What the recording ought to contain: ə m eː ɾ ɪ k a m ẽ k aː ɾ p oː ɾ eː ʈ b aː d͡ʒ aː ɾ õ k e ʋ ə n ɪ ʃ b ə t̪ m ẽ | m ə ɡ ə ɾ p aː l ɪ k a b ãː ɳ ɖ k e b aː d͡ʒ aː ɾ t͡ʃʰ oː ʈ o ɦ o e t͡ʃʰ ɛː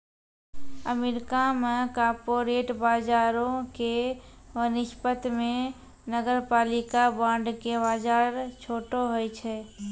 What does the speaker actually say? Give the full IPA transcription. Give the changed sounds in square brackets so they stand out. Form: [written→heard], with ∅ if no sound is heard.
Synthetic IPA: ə m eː ɾ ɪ k a m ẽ k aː ɾ p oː ɾ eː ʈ b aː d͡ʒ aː ɾ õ k e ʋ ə n ɪ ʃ [b→p] ə t̪ m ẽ | [m→n] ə ɡ ə ɾ p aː l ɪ k a b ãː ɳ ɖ k e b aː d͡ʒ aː ɾ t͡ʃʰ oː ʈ o ɦ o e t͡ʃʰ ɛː